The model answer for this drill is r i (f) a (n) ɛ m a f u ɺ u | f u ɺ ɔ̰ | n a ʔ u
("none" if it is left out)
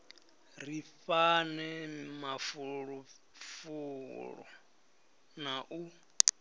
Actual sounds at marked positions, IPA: f, n

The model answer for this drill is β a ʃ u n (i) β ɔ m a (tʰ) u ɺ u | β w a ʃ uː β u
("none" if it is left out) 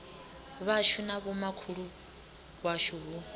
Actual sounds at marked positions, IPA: a, kʰ

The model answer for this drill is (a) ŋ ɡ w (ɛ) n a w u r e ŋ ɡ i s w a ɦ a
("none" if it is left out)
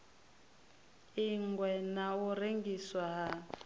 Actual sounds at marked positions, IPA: i, ɛ

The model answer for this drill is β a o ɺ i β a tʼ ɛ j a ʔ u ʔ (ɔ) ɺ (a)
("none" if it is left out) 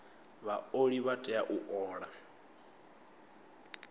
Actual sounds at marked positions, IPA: ɔː, a

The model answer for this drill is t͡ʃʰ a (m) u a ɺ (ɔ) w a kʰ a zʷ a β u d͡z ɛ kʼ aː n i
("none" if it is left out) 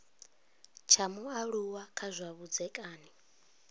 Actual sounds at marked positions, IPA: m, u

